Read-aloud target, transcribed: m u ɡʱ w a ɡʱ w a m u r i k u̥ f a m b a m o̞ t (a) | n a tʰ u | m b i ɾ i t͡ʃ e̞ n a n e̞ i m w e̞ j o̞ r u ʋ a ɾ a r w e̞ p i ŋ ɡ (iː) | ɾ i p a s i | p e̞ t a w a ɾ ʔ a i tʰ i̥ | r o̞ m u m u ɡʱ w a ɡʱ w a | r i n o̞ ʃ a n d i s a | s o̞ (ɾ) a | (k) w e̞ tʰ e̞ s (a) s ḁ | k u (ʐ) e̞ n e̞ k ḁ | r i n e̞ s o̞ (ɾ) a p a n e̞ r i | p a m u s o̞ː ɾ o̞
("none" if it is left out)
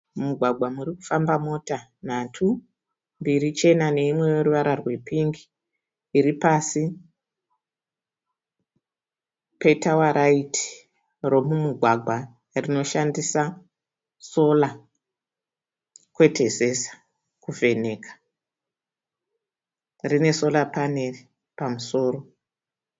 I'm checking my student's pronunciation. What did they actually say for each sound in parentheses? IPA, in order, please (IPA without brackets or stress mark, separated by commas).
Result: a, iː, l, k, e, v, l